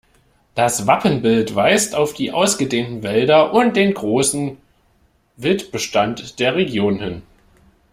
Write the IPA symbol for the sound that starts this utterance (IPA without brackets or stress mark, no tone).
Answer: d̥